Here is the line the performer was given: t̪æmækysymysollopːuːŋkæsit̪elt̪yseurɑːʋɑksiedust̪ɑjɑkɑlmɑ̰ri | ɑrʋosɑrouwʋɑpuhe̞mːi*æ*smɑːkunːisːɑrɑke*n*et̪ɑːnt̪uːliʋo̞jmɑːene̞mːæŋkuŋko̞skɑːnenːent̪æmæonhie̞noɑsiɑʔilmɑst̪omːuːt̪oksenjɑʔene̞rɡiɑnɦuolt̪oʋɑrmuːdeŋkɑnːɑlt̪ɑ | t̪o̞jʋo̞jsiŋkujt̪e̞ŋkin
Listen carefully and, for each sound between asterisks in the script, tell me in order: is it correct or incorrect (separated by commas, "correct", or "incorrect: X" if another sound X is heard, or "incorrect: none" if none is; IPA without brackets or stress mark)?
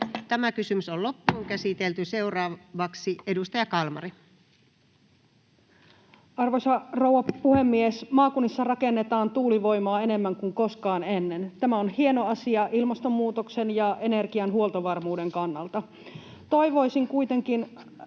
incorrect: e, incorrect: nː